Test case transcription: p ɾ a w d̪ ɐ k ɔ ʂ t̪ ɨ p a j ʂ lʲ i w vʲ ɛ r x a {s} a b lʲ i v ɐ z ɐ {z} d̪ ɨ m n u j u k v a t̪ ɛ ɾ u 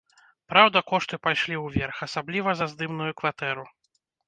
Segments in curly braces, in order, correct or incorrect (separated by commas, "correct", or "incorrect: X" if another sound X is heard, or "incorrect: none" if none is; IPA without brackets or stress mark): correct, correct